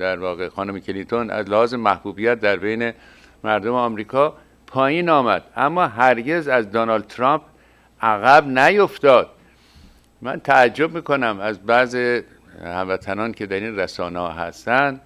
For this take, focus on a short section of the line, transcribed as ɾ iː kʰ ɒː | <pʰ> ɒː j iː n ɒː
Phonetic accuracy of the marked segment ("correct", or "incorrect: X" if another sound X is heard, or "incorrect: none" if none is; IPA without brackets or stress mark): correct